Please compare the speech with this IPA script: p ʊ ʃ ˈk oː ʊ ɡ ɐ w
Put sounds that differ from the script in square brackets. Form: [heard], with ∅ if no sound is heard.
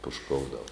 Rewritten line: p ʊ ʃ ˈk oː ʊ [d] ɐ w